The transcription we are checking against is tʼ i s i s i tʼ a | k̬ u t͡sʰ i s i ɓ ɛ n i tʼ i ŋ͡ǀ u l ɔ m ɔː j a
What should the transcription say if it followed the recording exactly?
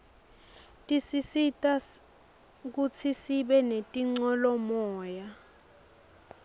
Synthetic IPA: tʼ i s i s i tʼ a | k̬ u t͡sʰ i s i ɓ ɛ n e tʼ i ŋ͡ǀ ɔ l ɔ m ɔː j a